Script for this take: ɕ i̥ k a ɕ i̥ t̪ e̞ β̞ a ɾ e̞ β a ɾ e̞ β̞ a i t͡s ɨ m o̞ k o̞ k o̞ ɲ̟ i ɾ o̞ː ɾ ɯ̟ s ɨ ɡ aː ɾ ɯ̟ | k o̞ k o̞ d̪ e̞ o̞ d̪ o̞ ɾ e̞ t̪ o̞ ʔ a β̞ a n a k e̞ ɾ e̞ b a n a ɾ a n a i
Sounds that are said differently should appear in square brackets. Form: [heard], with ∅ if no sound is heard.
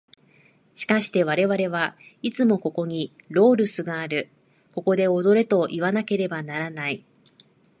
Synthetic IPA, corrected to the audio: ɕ i̥ k a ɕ i̥ t̪ e̞ β̞ a ɾ e̞ β a ɾ e̞ β̞ a i t͡s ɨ m o̞ k o̞ k o̞ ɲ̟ i ɾ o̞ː ɾ ɯ̟ s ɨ ɡ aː ɾ ɯ̟ | k o̞ k o̞ d̪ e̞ o̞ d̪ o̞ ɾ e̞ t̪ o̞ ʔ [i] β̞ a n a k e̞ ɾ e̞ b a n a ɾ a n a i